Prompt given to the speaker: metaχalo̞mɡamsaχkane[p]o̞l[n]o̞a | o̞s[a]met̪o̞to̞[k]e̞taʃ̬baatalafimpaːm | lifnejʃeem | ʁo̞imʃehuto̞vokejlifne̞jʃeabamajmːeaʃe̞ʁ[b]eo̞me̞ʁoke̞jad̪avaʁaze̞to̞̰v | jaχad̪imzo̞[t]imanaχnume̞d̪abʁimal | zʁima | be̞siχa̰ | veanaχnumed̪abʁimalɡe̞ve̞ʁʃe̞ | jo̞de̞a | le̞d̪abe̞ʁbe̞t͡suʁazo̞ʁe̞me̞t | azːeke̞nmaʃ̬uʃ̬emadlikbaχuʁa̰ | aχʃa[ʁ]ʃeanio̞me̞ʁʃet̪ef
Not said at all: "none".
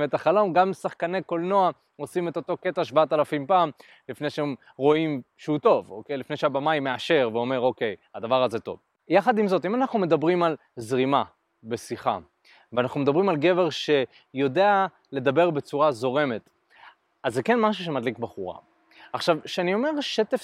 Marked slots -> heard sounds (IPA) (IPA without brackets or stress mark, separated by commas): k, n, i, k, v, t, v